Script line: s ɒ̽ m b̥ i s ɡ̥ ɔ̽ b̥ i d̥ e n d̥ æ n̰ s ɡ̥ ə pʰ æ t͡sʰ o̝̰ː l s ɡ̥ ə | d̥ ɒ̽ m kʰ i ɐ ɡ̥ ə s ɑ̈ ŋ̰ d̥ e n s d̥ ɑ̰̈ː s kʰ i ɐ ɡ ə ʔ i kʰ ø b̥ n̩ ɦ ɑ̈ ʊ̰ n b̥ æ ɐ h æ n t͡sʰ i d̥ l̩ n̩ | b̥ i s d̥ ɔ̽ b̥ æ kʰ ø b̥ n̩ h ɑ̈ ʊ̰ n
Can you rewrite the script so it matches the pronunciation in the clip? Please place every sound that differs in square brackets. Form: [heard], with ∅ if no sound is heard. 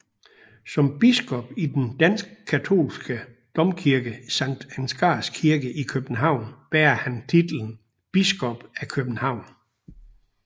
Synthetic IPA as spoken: s ɒ̽ m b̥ i s ɡ̥ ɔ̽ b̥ i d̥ e n d̥ æ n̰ s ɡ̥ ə [kʰ] æ t͡sʰ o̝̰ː l s ɡ̥ ə | d̥ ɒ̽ m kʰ i ɐ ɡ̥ ə s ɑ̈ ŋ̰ d̥ [æ] n s [ɡ̥] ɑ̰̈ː s kʰ i ɐ ɡ ə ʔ i kʰ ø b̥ n̩ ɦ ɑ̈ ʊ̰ n b̥ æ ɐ h æ n t͡sʰ i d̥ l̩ n̩ | b̥ i s [ɡ̥] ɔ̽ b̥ æ kʰ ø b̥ n̩ h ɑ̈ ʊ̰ n